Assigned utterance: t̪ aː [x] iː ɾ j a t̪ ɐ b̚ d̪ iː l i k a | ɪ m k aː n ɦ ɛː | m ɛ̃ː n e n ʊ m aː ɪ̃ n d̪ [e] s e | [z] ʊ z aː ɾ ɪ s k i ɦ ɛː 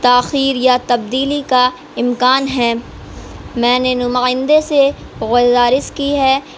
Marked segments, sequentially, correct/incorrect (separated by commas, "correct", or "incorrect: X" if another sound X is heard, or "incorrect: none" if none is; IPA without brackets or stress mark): correct, correct, incorrect: ɣ